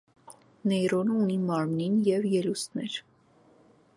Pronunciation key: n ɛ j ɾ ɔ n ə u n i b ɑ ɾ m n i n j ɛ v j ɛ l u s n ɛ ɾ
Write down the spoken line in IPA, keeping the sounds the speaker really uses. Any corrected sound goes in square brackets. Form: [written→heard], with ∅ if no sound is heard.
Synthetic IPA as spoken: n ɛ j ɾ ɔ n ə u n i [b→m] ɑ ɾ m n i n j ɛ v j ɛ l u s n ɛ ɾ